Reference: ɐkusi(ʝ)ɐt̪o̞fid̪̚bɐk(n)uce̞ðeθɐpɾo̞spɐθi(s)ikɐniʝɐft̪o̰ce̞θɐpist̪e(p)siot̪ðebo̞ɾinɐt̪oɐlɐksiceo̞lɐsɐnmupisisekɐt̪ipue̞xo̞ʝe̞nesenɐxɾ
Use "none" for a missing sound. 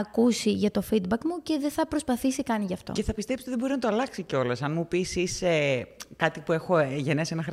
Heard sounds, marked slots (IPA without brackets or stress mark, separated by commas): ʝ, m, s, p